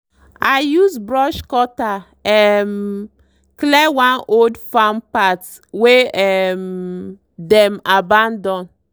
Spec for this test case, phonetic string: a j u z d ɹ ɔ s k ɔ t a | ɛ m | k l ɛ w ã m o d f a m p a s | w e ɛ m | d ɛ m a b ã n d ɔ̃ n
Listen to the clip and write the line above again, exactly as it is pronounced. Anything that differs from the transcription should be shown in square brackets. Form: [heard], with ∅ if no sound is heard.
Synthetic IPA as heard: a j u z [b] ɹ ɔ [ʃ] k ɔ t a | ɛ m | k l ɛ w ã [n] o d f a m p a [t] | w e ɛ m | d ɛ m a b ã n d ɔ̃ n